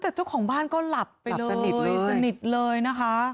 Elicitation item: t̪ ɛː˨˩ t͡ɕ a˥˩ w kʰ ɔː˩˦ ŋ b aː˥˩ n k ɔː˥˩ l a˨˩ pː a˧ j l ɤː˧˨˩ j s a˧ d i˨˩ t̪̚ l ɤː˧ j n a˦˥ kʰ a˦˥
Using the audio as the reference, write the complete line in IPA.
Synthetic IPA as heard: t̪ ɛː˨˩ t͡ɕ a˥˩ w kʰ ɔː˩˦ ŋ b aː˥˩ n k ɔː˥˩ l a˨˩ pː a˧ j l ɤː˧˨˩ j s a˧ n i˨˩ t̪̚ l ɤː˧ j n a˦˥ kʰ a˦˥